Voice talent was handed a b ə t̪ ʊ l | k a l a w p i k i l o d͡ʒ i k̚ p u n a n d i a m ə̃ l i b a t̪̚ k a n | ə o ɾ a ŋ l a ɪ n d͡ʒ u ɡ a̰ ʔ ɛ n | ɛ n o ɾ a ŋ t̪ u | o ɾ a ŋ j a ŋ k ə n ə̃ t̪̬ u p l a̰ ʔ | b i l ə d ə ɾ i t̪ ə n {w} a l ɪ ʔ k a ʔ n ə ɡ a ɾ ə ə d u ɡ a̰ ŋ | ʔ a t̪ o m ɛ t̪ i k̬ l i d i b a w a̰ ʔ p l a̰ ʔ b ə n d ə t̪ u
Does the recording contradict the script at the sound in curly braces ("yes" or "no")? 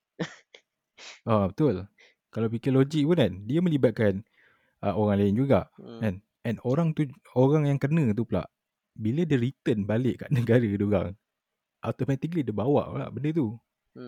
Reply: yes